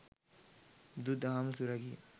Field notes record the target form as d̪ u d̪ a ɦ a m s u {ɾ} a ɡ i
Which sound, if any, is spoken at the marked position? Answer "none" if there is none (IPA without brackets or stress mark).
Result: ɾ